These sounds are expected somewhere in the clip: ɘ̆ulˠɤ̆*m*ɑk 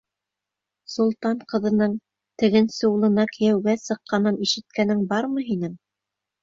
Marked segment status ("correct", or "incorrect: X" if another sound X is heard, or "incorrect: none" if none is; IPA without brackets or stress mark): incorrect: n